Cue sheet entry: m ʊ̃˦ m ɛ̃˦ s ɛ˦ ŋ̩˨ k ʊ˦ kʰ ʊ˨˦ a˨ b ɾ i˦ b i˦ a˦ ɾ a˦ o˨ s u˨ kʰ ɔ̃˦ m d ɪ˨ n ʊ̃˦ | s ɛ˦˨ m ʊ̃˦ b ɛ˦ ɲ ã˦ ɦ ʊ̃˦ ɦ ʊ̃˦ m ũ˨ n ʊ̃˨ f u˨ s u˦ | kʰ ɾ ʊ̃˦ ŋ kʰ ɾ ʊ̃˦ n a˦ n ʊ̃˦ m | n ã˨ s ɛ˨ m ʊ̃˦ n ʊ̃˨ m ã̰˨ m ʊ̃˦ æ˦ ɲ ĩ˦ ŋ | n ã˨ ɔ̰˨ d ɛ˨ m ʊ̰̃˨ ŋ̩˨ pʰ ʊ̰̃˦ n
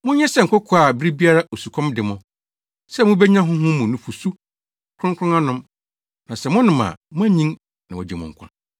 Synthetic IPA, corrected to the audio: m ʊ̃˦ ɲ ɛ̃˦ s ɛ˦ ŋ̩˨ k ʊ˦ kʰ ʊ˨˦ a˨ b ɾ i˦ b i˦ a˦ ɾ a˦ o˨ s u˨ kʰ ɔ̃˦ m d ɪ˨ m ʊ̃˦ | s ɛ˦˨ m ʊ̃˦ b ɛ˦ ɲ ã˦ ɦ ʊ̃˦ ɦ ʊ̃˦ m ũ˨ n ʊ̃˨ f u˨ s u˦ | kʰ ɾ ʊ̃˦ ŋ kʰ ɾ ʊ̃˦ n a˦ n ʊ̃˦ m | n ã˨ s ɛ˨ m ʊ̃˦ n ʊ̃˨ m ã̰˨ m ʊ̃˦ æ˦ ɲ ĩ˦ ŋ | n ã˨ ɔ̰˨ d͡ʑ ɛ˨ m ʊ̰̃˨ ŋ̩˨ kʰ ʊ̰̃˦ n